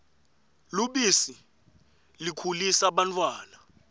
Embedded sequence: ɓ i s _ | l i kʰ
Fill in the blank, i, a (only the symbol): i